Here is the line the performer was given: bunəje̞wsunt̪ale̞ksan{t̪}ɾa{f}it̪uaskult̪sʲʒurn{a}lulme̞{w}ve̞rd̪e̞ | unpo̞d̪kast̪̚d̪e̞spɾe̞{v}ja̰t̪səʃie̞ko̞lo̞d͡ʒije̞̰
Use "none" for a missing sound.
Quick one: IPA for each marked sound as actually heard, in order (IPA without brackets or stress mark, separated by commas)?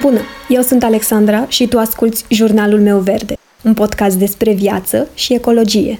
d̪, ʃ, a, w, v